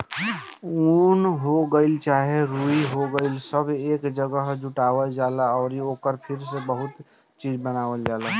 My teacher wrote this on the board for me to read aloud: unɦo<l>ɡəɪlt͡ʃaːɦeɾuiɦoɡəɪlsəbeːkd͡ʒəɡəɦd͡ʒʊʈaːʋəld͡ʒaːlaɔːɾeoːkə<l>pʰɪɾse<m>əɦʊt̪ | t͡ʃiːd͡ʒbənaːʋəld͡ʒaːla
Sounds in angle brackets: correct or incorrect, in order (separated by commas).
incorrect, incorrect, incorrect